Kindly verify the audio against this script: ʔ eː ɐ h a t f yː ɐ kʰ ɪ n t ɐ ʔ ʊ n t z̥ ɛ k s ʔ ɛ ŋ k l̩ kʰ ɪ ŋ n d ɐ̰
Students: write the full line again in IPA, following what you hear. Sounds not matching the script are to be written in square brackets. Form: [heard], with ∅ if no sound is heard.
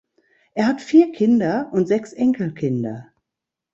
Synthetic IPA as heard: ʔ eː ɐ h a t f [iː] ɐ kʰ ɪ n [d] ɐ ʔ ʊ n t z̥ ɛ k s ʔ ɛ ŋ k l̩ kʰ ɪ [∅] n d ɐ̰